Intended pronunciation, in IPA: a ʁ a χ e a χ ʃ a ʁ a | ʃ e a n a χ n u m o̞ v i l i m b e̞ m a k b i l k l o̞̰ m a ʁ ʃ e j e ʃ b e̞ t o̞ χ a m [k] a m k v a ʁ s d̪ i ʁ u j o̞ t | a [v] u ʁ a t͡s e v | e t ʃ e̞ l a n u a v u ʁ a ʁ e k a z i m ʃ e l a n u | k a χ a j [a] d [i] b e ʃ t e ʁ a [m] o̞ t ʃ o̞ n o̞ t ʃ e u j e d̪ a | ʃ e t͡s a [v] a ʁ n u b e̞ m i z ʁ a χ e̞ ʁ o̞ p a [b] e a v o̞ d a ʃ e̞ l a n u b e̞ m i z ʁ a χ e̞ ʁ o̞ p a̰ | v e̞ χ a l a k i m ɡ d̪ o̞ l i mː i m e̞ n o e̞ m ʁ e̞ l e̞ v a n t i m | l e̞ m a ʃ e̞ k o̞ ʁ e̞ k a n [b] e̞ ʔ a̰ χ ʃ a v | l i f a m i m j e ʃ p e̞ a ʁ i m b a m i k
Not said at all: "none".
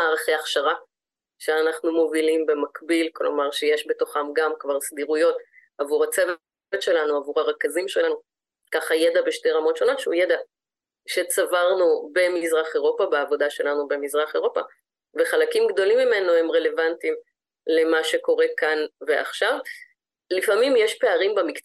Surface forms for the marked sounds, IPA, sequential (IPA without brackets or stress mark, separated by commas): ɡ, v, e, a, m, v, b, v